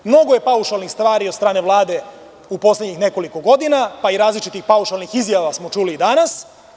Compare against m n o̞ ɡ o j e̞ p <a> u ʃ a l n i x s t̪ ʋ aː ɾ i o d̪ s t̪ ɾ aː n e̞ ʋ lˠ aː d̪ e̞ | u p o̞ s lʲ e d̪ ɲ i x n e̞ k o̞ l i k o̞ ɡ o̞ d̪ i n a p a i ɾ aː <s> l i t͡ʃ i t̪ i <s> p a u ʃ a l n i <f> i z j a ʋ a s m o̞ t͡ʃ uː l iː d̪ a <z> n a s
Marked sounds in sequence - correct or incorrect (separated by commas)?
correct, incorrect, incorrect, incorrect, incorrect